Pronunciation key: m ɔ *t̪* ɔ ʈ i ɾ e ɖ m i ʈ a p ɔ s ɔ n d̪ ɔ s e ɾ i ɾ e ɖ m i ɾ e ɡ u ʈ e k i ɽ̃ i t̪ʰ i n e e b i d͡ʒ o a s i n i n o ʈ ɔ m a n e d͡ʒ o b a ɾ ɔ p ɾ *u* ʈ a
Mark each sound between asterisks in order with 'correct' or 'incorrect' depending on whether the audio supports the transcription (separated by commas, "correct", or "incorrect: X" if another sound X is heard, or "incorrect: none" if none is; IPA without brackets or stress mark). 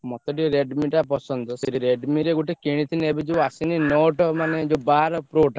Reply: correct, incorrect: o